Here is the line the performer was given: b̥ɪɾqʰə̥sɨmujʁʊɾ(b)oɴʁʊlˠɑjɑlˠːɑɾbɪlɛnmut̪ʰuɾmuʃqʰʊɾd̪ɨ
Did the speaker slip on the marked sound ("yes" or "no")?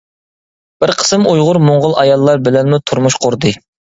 yes